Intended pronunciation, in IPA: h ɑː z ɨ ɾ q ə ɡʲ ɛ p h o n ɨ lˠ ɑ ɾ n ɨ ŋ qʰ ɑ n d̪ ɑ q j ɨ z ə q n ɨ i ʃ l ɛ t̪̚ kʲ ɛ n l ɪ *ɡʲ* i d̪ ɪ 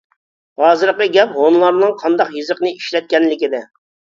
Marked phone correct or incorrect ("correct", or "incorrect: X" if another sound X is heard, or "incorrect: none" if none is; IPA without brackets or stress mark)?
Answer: incorrect: kʲ